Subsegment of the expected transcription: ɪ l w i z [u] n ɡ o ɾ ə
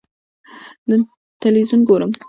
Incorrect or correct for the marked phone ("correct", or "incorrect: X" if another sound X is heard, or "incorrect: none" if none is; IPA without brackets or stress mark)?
correct